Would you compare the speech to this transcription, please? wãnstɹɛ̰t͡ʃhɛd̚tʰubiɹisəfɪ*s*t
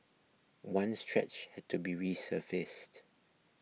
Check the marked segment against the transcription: correct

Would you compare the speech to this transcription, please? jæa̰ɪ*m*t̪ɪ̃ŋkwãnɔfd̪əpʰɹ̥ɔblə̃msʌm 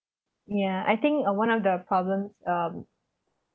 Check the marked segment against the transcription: incorrect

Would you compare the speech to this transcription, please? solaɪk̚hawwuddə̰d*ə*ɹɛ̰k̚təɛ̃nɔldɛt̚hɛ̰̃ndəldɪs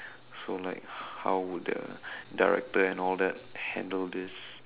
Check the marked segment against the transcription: incorrect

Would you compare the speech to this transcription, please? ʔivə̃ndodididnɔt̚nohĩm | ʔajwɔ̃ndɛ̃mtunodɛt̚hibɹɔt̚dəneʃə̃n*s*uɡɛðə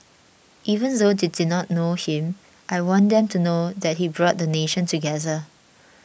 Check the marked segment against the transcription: incorrect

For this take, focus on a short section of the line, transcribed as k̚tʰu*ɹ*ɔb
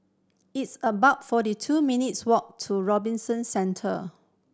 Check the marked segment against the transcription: correct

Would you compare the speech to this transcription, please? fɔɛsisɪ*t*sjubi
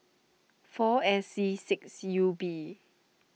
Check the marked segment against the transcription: incorrect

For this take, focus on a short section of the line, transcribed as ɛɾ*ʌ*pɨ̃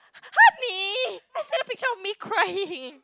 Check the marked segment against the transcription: correct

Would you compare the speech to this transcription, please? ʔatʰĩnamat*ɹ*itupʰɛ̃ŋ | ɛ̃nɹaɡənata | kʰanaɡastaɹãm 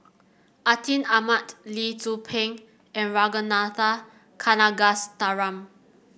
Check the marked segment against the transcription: incorrect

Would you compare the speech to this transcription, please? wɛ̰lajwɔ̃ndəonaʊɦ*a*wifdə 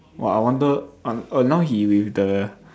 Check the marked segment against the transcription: incorrect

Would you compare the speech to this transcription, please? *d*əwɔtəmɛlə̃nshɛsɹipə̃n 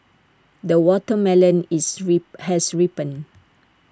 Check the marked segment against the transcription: correct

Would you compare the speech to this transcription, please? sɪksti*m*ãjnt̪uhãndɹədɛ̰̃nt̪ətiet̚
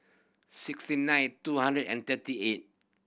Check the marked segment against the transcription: incorrect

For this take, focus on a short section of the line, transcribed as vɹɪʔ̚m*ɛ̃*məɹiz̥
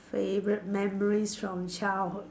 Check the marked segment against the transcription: incorrect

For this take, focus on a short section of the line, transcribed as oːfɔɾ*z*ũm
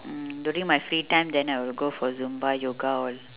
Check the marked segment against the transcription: correct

